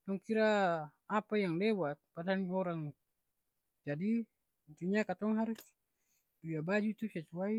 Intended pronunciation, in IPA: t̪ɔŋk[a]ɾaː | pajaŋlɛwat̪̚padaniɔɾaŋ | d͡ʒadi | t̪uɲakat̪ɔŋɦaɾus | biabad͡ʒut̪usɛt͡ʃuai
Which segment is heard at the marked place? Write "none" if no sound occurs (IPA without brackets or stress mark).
i